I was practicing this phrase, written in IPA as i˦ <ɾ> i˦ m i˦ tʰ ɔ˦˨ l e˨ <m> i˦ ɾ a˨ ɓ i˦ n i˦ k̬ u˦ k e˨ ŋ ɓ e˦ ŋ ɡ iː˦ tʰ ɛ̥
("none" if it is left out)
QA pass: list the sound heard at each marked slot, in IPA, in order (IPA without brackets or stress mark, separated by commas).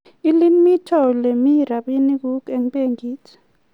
l, m